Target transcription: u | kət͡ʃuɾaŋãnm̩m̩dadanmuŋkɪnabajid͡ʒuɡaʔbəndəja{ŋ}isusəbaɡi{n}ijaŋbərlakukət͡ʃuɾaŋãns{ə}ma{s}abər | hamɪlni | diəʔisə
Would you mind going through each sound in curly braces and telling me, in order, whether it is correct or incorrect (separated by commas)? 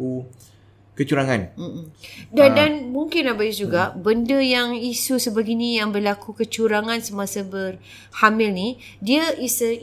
correct, correct, correct, correct